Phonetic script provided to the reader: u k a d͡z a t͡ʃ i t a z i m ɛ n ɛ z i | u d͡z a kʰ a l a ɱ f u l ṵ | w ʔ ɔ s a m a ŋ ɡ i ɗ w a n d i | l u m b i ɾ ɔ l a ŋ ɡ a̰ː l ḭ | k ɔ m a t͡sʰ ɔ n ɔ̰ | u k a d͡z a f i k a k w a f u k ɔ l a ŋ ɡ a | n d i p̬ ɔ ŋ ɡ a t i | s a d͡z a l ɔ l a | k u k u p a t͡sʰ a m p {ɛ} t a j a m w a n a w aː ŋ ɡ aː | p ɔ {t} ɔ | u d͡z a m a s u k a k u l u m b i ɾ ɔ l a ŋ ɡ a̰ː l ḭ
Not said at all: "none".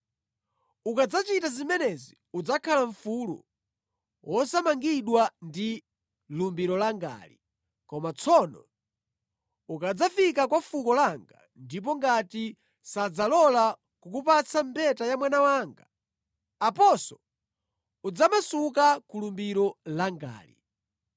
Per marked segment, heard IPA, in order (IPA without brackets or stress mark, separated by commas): ɛ, s